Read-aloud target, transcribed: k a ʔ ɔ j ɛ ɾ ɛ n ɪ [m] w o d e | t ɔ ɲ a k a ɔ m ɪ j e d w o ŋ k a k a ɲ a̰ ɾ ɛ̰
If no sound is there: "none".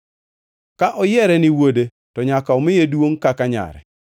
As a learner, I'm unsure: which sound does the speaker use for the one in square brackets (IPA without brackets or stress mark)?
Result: none